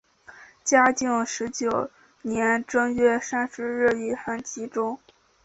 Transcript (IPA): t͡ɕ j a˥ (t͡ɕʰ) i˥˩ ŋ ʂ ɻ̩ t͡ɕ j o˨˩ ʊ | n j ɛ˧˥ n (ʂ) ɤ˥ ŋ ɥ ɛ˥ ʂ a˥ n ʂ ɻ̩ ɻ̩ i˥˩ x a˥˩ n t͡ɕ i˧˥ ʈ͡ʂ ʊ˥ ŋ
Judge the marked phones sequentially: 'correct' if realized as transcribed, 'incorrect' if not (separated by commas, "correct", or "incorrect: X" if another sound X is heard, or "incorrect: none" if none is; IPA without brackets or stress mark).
incorrect: t͡ɕ, incorrect: ʈ͡ʂ